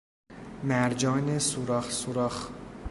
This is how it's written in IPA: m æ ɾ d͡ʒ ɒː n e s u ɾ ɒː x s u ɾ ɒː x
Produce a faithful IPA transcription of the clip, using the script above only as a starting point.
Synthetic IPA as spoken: m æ ɾ d͡ʒ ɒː n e s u ɾ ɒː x s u ɾ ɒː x